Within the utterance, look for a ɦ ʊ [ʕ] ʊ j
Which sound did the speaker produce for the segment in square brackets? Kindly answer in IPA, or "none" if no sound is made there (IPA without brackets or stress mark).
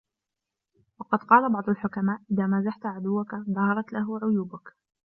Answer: ʕ